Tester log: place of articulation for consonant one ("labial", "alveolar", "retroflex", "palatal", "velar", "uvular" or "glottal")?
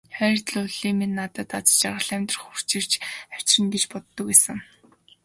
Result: uvular